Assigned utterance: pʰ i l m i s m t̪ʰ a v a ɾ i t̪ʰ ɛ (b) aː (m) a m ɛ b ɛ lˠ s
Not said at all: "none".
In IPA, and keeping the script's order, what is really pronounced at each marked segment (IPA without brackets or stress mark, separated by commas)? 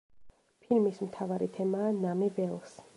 m, n